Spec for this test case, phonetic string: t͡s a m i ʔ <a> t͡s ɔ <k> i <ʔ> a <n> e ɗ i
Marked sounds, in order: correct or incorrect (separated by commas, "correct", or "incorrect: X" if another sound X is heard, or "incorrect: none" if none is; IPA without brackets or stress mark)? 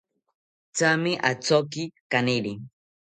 correct, correct, incorrect: k, correct